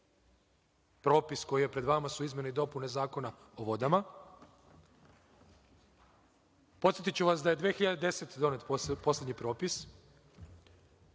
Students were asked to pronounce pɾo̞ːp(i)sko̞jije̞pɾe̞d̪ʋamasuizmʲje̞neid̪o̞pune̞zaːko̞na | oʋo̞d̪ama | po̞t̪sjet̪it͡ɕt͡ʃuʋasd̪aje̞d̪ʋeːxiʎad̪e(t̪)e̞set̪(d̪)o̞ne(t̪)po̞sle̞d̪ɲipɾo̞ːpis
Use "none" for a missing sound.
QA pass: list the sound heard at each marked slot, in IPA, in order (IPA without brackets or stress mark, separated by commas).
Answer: i, d̪, d̪, t̪